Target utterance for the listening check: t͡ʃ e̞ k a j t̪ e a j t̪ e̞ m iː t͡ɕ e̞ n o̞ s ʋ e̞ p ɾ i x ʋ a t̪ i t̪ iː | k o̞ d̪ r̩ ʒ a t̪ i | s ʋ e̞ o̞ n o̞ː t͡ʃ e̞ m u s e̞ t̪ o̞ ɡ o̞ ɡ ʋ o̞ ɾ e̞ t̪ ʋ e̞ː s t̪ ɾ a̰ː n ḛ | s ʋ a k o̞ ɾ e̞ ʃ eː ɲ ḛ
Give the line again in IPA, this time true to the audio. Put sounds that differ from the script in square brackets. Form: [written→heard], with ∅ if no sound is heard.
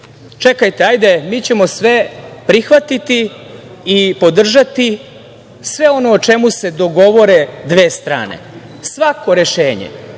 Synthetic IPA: t͡ʃ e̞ k a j t̪ e a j [t̪→d̪] e̞ m iː t͡ɕ e̞ [n→m] o̞ s ʋ e̞ p ɾ i x ʋ a t̪ i t̪ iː | [k→p] o̞ d̪ r̩ ʒ a t̪ i | s ʋ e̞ o̞ n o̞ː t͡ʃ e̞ m u s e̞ [t̪→d̪] o̞ ɡ o̞ [ɡ→∅] ʋ o̞ ɾ e̞ [t̪→d̪] ʋ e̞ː s t̪ ɾ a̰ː n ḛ | s ʋ a k o̞ ɾ e̞ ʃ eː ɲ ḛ

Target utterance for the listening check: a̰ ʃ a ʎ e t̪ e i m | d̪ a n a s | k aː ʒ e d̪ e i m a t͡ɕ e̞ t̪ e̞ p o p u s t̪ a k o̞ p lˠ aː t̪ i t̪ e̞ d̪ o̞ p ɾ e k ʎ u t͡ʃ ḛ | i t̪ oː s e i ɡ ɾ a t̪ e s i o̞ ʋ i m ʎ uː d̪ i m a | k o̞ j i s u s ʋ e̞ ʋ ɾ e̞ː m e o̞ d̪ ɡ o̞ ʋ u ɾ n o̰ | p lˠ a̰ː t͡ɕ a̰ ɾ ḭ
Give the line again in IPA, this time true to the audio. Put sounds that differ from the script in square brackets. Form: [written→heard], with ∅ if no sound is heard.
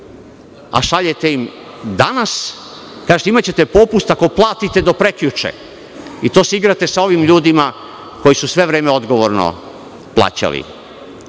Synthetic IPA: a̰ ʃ a ʎ e t̪ e i m | d̪ a n a s | k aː ʒ e [d̪→t̪] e i m a t͡ɕ e̞ t̪ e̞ p o p u s t̪ a k o̞ p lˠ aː t̪ i t̪ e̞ d̪ o̞ p ɾ e k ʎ u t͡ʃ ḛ | i t̪ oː s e i ɡ ɾ a t̪ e s [i→a] o̞ ʋ i m ʎ uː d̪ i m a | k o̞ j i s u s ʋ e̞ ʋ ɾ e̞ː m e o̞ d̪ ɡ o̞ ʋ [u→o] ɾ n o̰ | p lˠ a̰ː t͡ɕ a̰ [ɾ→l] ḭ

